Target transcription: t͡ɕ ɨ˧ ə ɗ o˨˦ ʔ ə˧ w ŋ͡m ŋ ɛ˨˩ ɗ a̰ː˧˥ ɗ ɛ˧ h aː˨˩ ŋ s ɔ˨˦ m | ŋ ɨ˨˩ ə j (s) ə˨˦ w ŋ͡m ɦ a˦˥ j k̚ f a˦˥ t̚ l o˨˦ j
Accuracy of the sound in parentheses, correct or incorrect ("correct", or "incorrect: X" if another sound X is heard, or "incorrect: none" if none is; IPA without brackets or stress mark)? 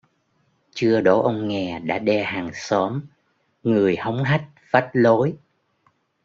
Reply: incorrect: h